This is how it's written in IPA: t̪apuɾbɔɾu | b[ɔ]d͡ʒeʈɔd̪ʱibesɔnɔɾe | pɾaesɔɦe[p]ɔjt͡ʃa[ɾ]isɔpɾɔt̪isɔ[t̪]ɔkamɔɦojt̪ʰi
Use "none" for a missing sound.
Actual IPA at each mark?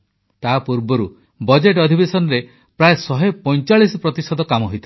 ɔ, p, ɭ, d̪

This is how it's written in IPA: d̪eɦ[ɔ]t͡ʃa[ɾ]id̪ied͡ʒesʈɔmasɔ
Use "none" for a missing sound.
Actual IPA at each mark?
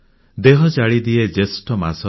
ɔ, ɭ

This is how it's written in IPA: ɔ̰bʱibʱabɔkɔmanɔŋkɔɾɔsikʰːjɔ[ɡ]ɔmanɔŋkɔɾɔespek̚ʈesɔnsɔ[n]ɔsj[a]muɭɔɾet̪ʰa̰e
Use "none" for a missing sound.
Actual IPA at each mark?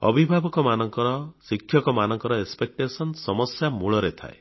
k, m, a

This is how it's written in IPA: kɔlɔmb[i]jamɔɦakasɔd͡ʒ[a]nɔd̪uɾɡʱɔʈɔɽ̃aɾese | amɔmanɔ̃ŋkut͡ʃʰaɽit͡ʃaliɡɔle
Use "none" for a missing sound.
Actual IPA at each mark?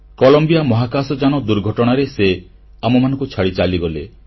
i, a

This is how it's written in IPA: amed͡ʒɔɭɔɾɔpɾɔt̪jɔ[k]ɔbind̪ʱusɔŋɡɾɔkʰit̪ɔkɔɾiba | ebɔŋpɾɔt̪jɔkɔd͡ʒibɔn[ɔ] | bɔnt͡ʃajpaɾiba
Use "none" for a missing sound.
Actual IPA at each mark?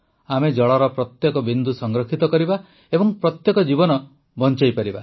k, ɔ

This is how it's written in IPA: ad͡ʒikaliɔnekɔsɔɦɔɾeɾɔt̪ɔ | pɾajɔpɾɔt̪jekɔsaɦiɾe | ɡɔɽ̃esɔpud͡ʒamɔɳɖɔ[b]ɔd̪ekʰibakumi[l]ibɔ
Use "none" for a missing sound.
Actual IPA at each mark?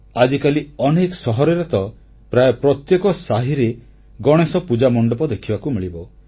p, ɭ

